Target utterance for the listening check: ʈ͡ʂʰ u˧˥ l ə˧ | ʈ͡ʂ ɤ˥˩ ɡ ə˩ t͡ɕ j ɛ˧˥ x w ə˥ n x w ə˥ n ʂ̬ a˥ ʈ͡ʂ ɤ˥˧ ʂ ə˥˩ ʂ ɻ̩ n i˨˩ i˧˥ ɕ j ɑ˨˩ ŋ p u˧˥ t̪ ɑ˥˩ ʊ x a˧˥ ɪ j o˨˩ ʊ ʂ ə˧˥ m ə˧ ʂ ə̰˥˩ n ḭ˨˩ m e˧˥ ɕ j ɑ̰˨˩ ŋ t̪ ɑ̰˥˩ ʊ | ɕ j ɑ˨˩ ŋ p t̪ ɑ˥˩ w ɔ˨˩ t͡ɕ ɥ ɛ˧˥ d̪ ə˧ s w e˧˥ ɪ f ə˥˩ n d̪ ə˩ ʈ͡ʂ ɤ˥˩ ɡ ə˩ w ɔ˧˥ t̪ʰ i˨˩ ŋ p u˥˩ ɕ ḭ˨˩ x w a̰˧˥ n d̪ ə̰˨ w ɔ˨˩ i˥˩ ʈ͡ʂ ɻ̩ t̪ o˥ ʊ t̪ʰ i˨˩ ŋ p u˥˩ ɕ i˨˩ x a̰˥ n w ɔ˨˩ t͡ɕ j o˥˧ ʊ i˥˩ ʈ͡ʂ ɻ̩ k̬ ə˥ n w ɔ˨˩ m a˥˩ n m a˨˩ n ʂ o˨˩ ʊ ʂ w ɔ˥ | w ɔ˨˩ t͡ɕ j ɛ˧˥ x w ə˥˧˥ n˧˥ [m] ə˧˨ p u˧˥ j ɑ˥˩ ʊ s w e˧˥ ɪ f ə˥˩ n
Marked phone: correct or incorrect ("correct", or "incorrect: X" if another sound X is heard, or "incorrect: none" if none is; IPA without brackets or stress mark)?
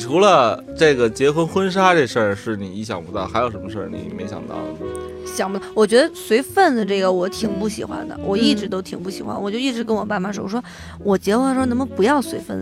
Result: correct